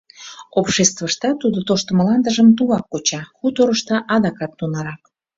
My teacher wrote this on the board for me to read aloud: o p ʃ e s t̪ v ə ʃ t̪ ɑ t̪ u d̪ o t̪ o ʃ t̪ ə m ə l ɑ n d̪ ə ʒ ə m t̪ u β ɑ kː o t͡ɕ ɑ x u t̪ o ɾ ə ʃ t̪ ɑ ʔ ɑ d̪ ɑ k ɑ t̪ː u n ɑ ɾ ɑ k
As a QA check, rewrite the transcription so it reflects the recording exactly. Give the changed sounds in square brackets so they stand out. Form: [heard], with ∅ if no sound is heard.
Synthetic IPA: o p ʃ e s t̪ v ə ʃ t̪ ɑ t̪ u d̪ o t̪ o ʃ t̪ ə m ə l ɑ n d̪ ə ʒ ə m t̪ u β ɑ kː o t͡ɕ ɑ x u t̪ o ɾ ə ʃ t̪ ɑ ʔ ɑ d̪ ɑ k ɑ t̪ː u n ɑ ɾ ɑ k